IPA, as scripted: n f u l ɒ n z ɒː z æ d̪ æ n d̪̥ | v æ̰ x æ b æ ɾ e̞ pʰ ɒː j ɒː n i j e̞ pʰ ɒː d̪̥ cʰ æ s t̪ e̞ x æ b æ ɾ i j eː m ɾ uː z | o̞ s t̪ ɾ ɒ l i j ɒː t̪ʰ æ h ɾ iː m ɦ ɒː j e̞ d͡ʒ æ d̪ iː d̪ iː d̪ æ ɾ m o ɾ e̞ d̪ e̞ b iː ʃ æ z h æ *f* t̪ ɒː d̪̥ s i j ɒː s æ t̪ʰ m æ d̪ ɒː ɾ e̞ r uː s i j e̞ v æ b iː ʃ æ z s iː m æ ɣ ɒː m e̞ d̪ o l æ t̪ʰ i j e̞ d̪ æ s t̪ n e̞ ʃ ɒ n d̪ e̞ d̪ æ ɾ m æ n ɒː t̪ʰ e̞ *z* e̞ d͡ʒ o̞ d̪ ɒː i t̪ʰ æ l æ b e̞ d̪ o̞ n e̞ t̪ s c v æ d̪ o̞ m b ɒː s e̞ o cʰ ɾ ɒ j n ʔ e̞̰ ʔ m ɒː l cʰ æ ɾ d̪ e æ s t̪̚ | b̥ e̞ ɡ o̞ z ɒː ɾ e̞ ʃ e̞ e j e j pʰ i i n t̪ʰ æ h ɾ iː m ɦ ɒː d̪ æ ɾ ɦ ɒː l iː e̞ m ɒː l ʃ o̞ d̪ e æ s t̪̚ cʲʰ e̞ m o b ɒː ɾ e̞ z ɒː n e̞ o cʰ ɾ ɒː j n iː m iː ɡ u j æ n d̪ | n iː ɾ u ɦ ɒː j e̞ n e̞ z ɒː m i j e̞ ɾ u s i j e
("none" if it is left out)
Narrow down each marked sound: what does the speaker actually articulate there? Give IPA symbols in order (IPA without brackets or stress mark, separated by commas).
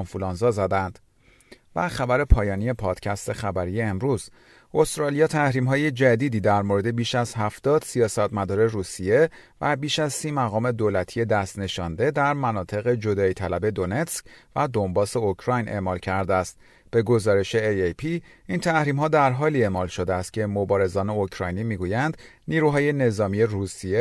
f, ɣ